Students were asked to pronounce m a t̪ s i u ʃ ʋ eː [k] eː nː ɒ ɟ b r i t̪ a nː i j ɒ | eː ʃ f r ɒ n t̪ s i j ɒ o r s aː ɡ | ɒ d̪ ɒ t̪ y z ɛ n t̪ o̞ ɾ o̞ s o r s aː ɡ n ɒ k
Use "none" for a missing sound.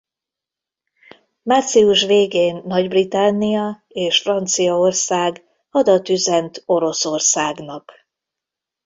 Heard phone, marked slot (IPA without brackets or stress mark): ɡ